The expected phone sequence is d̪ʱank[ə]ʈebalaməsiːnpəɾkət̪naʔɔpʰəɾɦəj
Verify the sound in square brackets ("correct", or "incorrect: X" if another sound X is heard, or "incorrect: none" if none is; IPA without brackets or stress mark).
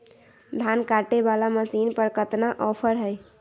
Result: incorrect: a